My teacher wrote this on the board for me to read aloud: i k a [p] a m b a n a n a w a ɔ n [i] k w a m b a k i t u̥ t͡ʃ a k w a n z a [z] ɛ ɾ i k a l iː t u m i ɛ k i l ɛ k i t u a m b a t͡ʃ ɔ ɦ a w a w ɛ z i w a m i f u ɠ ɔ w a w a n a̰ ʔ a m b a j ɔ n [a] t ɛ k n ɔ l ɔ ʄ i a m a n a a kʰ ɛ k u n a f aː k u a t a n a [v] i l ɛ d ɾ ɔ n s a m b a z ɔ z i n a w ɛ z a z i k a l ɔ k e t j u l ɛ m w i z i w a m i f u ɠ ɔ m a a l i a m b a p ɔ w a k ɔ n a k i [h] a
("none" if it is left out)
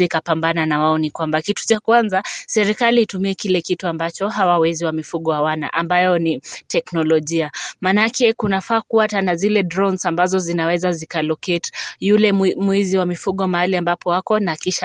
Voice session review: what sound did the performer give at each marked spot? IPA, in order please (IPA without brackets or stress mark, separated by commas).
p, i, s, i, z, ʃ